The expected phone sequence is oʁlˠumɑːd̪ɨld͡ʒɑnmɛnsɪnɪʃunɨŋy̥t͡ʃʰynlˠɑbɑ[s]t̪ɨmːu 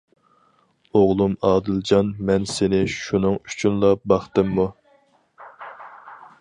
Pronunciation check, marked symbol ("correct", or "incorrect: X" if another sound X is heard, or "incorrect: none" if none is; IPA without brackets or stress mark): incorrect: χ